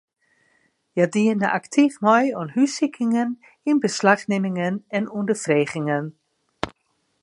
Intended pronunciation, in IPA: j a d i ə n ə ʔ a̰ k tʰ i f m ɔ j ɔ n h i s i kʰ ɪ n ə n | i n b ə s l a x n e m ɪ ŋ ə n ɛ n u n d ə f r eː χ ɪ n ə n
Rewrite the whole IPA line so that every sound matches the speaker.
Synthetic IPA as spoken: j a d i ə n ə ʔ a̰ k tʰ i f m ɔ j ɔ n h y s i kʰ ɪ ŋ ə n | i n b ə s l a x n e m ɪ ŋ ə n ɛ n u n d ə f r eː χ ɪ ŋ ə n